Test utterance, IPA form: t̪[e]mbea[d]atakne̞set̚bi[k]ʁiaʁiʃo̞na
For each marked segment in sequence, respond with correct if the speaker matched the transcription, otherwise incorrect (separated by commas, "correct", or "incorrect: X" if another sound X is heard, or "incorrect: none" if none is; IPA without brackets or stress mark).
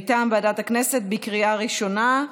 incorrect: a, correct, correct